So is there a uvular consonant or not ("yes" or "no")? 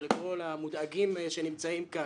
no